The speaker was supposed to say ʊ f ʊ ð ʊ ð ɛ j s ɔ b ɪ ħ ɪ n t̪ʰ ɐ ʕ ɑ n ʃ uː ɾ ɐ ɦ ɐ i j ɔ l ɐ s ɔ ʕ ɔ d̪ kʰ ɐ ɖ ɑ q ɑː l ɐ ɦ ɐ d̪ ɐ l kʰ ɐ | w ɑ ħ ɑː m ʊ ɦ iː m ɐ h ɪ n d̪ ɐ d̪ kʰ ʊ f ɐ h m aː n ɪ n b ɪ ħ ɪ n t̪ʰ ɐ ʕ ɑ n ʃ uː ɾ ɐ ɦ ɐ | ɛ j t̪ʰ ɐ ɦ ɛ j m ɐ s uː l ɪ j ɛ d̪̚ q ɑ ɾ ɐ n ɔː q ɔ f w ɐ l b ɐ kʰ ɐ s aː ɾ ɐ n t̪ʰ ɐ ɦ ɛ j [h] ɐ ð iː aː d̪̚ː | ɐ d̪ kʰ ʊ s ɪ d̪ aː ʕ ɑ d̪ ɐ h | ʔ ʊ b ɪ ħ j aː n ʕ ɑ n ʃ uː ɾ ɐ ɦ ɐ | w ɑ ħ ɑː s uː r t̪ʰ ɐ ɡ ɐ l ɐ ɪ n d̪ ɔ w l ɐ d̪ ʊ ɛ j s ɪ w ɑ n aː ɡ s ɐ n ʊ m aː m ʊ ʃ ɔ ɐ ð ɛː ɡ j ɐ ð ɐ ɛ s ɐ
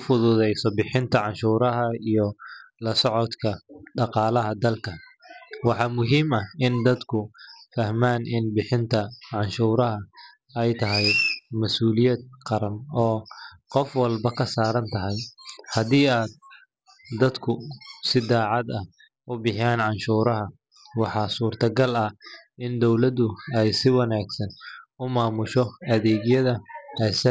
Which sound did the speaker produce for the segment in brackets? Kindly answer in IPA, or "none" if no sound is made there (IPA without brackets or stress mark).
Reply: h